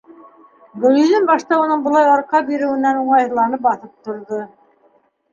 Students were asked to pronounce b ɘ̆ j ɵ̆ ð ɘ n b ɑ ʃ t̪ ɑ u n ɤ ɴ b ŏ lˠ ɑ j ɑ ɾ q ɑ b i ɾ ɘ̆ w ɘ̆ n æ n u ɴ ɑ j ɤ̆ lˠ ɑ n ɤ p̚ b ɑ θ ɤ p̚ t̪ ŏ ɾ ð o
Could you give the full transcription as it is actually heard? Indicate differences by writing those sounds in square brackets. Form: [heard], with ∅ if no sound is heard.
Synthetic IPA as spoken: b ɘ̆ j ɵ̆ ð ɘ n b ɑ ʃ t̪ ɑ u n ɤ ɴ b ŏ lˠ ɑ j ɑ ɾ q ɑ b i ɾ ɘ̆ w ɘ̆ n æ n u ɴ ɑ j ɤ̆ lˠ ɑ n ɤ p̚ b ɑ θ ɤ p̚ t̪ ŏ ɾ ð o